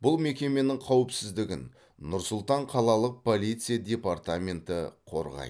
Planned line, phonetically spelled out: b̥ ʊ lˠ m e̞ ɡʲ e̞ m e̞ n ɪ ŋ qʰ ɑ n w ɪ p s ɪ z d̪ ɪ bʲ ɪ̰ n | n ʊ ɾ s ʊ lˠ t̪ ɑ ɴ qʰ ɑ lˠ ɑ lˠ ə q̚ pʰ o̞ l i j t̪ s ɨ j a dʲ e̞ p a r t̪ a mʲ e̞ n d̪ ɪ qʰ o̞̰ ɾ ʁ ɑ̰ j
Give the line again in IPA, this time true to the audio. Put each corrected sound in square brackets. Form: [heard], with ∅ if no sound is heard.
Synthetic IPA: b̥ ʊ lˠ m e̞ [kʲ] e̞ m e̞ n ɪ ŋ qʰ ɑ [∅] w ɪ p s ɪ z d̪ ɪ [ɡʲ] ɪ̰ n | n ʊ ɾ s ʊ lˠ t̪ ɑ ɴ qʰ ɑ lˠ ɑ lˠ ə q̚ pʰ o̞ l i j t̪ s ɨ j a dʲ e̞ p a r t̪ a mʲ e̞ n [t̪] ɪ qʰ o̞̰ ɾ ʁ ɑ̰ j

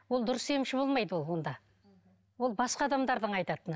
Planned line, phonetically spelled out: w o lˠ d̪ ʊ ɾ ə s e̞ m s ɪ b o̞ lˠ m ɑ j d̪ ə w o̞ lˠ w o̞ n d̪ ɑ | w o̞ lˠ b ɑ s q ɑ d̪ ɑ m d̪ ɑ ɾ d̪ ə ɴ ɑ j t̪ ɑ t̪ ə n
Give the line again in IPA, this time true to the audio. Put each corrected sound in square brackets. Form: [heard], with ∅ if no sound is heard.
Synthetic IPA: w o lˠ d̪ ʊ ɾ ə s e̞ m [ʃ] ɪ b o̞ lˠ m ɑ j d̪ ə w o̞ lˠ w o̞ n d̪ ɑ | w o̞ lˠ b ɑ s q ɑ d̪ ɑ m d̪ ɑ ɾ d̪ ə ɴ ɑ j t̪ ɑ t̪ ə n

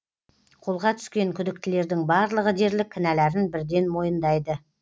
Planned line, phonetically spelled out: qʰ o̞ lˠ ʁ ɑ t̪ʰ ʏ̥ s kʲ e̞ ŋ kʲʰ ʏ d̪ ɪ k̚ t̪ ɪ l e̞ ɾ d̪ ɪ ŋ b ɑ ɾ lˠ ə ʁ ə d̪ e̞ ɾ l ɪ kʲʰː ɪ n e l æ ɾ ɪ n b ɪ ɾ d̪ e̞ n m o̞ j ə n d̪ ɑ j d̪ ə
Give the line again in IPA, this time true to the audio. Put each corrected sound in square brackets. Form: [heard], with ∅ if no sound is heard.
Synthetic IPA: qʰ o̞ lˠ ʁ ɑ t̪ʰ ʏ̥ s kʲ e̞ ŋ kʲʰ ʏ d̪ ɪ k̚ t̪ ɪ l e̞ ɾ d̪ ɪ ŋ b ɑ ɾ lˠ ə ʁ ə d̪ e̞ ɾ l ɪ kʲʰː ɪ n [æ] l æ ɾ ɪ n b ɪ ɾ d̪ e̞ n m o̞ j ə n d̪ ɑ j d̪ ə

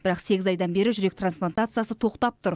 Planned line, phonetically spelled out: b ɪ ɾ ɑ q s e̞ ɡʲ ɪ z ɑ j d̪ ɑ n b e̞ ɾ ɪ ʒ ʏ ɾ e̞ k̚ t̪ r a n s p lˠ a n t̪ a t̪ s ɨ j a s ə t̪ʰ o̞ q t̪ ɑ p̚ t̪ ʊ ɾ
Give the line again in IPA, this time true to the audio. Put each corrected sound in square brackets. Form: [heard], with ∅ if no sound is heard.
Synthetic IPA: b ɪ ɾ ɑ q s e̞ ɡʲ ɪ z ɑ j d̪ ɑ n b e̞ ɾ ɪ ʒ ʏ ɾ e̞ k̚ t̪ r a n s p lˠ a n t̪ a t̪ s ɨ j a s ə t̪ʰ o̞ q t̪ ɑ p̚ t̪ ʊ ɾ

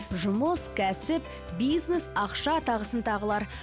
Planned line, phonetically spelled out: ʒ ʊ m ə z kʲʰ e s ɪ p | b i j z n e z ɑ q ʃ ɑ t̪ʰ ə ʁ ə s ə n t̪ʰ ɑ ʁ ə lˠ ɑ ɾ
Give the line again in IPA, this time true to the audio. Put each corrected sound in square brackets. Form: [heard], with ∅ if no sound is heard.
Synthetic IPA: ʒ ʊ m ə [s] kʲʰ [æ] s ɪ p | b i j z n e [s] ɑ q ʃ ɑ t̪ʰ [ɑ] ʁ ə s ə n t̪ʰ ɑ ʁ ə lˠ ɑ ɾ

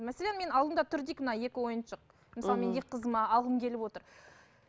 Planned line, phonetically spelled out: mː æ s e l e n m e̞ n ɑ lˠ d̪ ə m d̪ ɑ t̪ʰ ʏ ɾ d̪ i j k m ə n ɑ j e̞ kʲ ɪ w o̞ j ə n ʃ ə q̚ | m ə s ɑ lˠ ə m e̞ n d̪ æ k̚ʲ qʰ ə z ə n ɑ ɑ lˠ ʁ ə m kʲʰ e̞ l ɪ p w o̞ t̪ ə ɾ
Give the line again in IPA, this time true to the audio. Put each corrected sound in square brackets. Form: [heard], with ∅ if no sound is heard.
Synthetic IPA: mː æ s e l e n m e̞ n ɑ lˠ d̪ ə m d̪ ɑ t̪ʰ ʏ ɾ d̪ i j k m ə n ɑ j e̞ kʲ ɪ w o̞ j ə n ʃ ə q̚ | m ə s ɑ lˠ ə m e̞ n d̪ [e] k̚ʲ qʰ ə z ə [m] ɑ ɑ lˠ ʁ ə m kʲʰ e̞ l ɪ p w o̞ t̪ ə ɾ

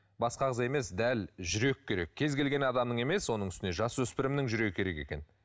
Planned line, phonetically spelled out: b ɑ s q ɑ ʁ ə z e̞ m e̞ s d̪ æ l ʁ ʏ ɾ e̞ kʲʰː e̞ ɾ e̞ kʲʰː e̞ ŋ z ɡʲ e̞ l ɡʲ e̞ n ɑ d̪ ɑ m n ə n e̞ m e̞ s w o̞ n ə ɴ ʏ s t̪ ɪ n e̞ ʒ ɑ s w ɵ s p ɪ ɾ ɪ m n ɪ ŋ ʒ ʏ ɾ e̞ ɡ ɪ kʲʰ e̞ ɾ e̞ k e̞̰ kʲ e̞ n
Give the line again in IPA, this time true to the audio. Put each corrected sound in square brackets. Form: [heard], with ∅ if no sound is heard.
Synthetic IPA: b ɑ s q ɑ ʁ ə z e̞ m e̞ s d̪ æ l [ʒ] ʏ ɾ e̞ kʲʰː e̞ ɾ e̞ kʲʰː e̞ [∅] z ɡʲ e̞ l ɡʲ e̞ n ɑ d̪ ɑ m n ə [ɴ] e̞ m e̞ s w o̞ n ə ɴ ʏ s t̪ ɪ n e̞ ʒ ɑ s w ɵ s p ɪ ɾ ɪ m n ɪ ŋ ʒ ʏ ɾ e̞ ɡ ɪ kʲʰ e̞ ɾ e̞ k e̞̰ kʲ e̞ n

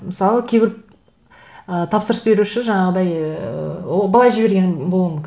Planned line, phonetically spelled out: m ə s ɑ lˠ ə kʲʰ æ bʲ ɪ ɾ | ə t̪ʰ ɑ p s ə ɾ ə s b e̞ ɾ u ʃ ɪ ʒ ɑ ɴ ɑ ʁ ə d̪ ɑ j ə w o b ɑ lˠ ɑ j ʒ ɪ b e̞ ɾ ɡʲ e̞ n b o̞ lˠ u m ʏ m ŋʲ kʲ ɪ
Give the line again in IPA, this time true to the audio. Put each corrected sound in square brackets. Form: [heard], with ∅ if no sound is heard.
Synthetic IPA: m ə s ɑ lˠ ə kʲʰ [e] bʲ ɪ ɾ | ə t̪ʰ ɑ p s ə ɾ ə s b e̞ ɾ u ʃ ɪ ʒ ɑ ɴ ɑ ʁ ə d̪ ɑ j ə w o b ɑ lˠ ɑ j ʒ ɪ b e̞ ɾ ɡʲ e̞ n b o̞ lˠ u m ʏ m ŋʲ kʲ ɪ

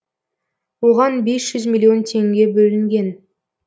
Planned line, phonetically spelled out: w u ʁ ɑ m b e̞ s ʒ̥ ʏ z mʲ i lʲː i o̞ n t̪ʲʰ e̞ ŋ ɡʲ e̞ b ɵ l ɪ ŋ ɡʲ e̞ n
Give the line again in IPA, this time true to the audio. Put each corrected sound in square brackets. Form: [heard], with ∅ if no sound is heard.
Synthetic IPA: w [o] ʁ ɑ [n] b e̞ s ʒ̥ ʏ z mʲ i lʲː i o̞ n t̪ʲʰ e̞ ŋ ɡʲ e̞ b ɵ l ɪ ŋ ɡʲ e̞ n

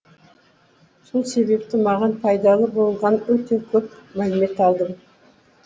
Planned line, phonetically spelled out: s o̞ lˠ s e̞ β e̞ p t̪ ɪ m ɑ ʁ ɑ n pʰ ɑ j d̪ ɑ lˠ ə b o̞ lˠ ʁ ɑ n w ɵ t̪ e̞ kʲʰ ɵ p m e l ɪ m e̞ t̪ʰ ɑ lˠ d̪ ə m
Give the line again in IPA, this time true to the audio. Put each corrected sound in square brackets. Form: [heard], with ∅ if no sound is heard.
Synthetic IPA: s o̞ lˠ s e̞ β e̞ p t̪ ɪ m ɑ ʁ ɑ n pʰ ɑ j d̪ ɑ lˠ ə b o̞ lˠ ʁ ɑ n w ɵ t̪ e̞ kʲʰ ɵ p m [æ] l ɪ m e̞ [t̪] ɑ lˠ d̪ ə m

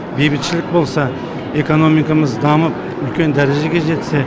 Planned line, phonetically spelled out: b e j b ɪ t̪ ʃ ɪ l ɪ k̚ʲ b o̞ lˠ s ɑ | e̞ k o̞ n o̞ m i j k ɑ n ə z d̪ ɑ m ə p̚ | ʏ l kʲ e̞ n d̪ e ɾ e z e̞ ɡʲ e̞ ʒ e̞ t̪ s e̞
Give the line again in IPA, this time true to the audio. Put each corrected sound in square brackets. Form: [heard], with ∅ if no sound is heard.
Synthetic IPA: b e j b ɪ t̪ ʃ ɪ l ɪ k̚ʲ b o̞ lˠ s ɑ | e̞ k o̞ n o̞ m i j k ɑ [m] ə z d̪ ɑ m ə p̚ | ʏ l kʲ e̞ n d̪ [æ] ɾ e [ʒ] e̞ ɡʲ e̞ ʒ e̞ t̪ s e̞

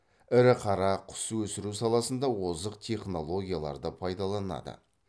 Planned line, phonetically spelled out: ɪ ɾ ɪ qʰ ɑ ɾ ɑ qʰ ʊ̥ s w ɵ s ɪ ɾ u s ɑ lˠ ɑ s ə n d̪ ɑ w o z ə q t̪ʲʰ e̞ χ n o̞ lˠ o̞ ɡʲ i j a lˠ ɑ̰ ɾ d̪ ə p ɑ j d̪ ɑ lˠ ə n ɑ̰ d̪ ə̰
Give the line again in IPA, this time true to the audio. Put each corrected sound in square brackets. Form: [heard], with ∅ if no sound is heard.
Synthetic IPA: ɪ ɾ ɪ qʰ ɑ ɾ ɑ qʰ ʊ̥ s w ɵ s ɪ ɾ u s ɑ lˠ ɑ s ə n d̪ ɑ w o z ə q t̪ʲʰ e̞ χ n o̞ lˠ o̞ ɡʲ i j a lˠ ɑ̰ ɾ d̪ ə [pʰ] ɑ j d̪ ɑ lˠ [ɑ] n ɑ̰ d̪ ə̰

